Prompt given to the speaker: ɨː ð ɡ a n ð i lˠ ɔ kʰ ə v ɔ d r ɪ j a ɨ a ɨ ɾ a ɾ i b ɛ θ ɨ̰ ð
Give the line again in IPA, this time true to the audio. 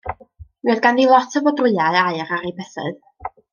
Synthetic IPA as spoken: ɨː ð ɡ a n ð i lˠ ɔ tʰ ə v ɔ d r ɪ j a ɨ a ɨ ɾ a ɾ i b ɛ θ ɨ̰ ð